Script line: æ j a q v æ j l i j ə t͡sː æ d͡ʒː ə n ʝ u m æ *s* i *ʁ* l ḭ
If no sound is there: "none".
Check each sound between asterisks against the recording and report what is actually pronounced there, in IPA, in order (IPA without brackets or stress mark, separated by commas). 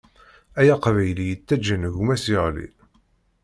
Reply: s, ʁ